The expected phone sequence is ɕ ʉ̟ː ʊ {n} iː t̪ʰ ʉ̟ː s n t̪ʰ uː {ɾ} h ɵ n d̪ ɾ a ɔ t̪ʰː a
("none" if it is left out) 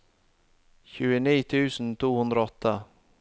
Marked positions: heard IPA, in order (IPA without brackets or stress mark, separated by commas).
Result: n, none